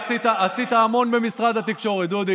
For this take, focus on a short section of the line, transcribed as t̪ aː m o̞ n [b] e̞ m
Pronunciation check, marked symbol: correct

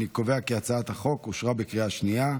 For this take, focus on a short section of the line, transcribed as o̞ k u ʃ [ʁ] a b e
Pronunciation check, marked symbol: correct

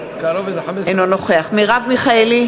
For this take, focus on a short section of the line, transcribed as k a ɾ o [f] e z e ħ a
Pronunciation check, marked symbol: incorrect: v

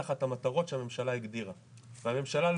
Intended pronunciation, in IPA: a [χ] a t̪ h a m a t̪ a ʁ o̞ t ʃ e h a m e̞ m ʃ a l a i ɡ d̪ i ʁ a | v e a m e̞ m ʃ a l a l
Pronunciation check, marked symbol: correct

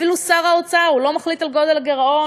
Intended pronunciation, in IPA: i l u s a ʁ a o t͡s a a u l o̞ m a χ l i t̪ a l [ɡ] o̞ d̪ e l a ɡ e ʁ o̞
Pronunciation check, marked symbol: correct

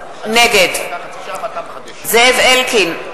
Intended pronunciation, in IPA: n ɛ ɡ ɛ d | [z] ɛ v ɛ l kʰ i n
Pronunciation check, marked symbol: correct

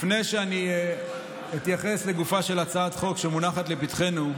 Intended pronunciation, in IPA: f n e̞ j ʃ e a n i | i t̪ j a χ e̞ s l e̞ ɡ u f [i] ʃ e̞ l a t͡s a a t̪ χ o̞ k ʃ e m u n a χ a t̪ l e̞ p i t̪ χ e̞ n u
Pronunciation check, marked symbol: incorrect: a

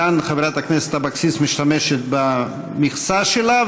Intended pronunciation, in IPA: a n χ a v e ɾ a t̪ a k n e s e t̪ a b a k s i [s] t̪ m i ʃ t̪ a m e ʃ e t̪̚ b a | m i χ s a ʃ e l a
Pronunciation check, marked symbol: correct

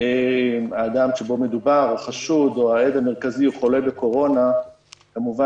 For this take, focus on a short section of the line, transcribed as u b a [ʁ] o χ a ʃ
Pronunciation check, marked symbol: correct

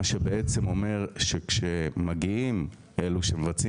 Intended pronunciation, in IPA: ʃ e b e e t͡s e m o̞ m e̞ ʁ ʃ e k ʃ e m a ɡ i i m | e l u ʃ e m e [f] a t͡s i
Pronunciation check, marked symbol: incorrect: v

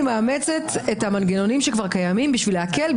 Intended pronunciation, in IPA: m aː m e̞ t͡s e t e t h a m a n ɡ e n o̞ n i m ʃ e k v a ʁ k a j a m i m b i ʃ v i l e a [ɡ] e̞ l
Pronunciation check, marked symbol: incorrect: k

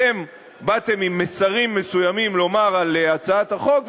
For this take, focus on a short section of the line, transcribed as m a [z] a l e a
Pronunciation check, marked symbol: incorrect: ʁ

